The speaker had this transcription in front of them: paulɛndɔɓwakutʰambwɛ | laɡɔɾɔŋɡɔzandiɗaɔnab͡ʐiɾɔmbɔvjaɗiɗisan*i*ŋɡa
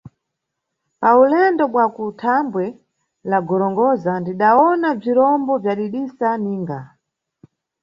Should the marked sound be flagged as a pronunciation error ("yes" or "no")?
yes